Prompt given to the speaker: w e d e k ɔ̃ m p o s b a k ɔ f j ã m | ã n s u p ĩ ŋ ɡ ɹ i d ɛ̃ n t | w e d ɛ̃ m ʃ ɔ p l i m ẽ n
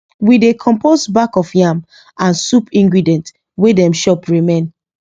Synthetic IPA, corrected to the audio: w i d e kʰ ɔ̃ m p o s b a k ɔ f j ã m | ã n s u p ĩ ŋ ɡ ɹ i d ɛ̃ n t | w e d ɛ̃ m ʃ ɔ p ɹ i m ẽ n